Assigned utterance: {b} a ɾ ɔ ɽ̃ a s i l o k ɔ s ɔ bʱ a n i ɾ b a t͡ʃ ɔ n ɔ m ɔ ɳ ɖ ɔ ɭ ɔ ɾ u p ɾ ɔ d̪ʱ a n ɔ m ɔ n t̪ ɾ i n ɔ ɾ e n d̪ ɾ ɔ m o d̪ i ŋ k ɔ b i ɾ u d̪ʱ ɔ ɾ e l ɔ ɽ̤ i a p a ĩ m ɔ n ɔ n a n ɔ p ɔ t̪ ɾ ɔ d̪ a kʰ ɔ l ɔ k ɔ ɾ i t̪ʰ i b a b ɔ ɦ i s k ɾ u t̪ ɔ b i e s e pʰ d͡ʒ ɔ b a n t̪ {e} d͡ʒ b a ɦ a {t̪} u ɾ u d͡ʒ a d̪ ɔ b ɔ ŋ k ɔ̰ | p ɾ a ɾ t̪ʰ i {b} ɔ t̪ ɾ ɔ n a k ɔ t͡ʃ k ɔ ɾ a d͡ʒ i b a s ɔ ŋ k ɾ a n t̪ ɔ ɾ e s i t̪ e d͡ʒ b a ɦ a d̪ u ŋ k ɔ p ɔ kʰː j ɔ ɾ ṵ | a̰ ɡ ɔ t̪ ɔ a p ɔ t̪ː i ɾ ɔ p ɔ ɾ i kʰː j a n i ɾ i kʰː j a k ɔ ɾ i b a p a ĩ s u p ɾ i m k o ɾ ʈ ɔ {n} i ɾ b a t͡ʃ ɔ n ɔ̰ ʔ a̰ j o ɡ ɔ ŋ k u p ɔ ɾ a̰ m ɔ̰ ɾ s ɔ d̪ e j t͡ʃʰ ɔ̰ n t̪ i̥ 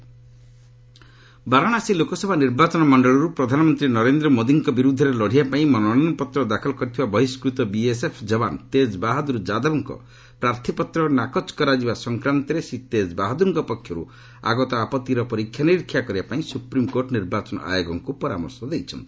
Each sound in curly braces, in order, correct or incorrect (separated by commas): correct, correct, incorrect, incorrect, correct